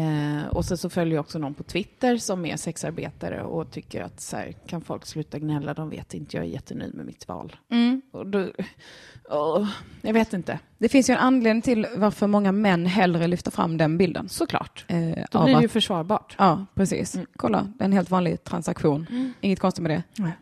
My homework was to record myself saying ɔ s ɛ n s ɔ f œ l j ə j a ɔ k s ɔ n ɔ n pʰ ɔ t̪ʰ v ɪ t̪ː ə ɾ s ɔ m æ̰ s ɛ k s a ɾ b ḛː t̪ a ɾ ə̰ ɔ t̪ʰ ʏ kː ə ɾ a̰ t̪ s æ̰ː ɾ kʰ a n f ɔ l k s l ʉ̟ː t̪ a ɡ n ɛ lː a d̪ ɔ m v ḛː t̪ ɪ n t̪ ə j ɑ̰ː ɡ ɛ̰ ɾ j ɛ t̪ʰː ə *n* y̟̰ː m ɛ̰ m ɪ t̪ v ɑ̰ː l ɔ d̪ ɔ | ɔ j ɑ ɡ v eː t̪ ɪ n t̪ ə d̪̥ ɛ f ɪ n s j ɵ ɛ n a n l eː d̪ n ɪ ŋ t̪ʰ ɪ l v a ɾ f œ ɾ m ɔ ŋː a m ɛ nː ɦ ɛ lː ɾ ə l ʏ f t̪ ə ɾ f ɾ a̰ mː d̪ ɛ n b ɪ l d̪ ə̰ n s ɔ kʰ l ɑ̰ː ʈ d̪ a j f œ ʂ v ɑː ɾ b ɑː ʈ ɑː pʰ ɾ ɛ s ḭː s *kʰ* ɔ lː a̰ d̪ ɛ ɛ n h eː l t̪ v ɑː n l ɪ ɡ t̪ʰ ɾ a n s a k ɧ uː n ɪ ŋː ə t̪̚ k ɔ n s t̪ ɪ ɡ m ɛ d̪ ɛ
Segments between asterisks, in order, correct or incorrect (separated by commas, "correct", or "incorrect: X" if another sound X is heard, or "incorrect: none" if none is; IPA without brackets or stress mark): correct, correct